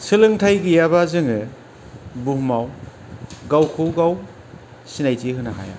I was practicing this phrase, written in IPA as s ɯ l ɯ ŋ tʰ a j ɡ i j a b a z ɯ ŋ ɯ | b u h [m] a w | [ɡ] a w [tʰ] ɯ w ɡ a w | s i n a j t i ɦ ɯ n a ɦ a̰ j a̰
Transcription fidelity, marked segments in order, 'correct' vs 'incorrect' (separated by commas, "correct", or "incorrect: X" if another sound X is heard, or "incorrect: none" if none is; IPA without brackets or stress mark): correct, correct, incorrect: kʰ